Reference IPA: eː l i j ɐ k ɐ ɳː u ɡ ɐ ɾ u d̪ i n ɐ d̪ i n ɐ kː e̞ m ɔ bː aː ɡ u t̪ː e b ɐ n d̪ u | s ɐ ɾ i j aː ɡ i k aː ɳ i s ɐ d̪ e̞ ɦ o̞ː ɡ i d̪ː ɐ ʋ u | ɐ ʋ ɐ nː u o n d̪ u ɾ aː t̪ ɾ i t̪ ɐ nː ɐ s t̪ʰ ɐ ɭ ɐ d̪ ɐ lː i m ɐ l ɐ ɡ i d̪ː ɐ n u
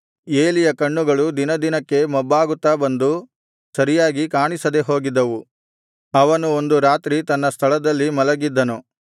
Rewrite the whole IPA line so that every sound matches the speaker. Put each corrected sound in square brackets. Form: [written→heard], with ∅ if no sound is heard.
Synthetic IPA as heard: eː l i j ɐ k ɐ ɳː u ɡ ɐ [ɾ→ɭ] u d̪ i n ɐ d̪ i n ɐ kː e̞ m ɔ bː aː ɡ u t̪ː [e→a] b ɐ n d̪ u | s ɐ ɾ i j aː ɡ i k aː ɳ i s ɐ d̪ e̞ ɦ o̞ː ɡ i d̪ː ɐ ʋ u | ɐ ʋ ɐ [nː→n] u o n d̪ u ɾ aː t̪ ɾ i t̪ ɐ nː ɐ s t̪ʰ ɐ ɭ ɐ d̪ ɐ lː i m ɐ l ɐ ɡ i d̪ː ɐ n u